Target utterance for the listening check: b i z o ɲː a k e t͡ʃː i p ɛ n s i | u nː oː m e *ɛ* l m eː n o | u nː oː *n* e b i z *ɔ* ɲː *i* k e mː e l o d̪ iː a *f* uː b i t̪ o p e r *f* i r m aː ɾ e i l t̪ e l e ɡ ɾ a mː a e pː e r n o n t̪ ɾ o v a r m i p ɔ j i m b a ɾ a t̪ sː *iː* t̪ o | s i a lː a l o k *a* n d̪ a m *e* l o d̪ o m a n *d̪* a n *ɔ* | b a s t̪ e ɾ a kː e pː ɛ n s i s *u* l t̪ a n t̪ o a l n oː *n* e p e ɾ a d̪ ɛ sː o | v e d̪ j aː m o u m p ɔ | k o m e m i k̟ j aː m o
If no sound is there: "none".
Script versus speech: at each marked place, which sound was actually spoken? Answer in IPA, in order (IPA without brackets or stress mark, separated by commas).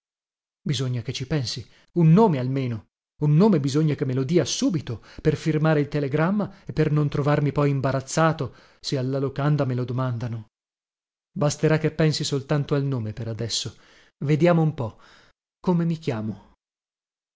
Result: a, m, o, a, s, f, aː, a, e, d̪, o, o, m